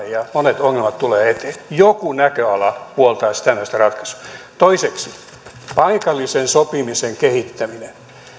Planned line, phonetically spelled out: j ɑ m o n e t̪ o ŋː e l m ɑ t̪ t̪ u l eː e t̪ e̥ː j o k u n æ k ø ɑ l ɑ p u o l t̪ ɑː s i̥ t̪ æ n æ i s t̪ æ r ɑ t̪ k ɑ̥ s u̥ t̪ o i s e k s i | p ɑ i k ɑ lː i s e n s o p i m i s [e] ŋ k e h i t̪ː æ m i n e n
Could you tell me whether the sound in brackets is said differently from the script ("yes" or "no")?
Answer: no